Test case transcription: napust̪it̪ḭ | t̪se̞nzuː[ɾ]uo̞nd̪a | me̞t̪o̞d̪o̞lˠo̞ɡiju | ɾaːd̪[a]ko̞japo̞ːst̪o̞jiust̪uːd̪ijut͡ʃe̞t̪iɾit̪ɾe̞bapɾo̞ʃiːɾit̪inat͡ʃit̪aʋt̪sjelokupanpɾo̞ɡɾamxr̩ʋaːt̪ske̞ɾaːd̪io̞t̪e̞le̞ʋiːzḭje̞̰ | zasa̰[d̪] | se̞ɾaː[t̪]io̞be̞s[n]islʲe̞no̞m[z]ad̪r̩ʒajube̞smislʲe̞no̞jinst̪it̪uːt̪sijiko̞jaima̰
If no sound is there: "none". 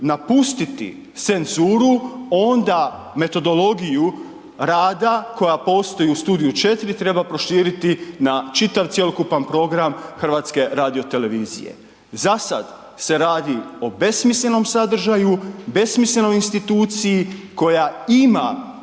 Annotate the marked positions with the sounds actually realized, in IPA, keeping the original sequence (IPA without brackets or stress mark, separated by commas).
ɾ, a, d̪, d̪, m, s